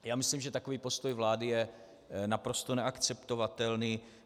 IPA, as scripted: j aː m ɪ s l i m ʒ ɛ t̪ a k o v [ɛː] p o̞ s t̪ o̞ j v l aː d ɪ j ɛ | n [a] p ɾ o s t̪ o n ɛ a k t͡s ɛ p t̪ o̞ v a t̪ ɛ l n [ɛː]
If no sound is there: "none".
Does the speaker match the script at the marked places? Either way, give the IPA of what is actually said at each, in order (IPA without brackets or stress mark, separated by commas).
iː, a, iː